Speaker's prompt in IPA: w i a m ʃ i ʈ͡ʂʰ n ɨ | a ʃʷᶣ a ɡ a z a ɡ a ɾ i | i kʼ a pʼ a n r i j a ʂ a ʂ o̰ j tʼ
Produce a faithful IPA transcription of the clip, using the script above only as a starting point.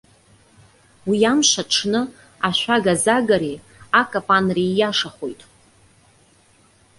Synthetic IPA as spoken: w i a m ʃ a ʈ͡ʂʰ n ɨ | a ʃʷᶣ a ɡ a z a ɡ a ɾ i | a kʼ a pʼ a n r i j a ʂ a χ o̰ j tʼ